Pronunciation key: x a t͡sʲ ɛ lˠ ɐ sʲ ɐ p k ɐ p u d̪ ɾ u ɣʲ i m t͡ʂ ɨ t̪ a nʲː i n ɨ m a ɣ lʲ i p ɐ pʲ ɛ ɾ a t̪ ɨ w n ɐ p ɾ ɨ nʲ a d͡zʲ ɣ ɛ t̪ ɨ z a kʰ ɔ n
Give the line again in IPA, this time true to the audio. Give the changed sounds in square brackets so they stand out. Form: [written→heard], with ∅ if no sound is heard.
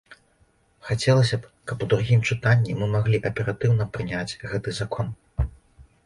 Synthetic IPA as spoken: x a t͡sʲ ɛ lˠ ɐ sʲ ɐ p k ɐ p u d̪ ɾ u ɣʲ i m t͡ʂ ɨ t̪ a nʲː i [n→m] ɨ m a ɣ lʲ i [p→ʔ] ɐ pʲ ɛ ɾ a t̪ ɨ w n ɐ p ɾ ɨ nʲ a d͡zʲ ɣ ɛ t̪ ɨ z a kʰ ɔ n